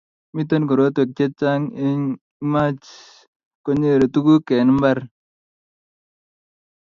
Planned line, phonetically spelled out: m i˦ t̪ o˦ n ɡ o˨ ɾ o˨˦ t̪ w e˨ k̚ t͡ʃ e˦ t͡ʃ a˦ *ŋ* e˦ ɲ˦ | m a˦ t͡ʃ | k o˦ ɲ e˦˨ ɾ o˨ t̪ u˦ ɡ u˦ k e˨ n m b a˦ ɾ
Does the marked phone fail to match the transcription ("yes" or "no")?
no